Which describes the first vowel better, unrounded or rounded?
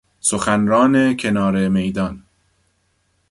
rounded